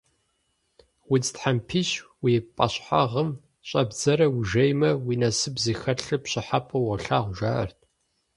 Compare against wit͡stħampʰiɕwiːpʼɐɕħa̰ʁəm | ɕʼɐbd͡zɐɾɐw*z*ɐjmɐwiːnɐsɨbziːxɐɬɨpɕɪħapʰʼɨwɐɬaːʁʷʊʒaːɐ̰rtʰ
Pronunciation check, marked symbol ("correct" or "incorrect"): incorrect